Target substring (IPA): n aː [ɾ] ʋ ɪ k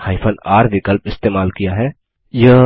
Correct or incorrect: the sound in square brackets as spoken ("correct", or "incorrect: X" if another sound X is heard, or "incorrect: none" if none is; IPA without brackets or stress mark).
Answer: correct